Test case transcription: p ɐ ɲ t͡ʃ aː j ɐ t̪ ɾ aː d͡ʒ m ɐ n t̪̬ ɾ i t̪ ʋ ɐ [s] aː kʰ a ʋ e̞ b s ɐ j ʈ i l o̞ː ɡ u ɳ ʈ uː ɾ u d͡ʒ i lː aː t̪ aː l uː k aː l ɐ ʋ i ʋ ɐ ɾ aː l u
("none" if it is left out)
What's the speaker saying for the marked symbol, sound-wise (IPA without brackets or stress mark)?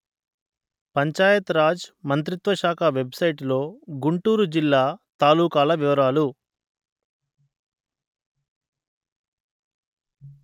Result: ʃ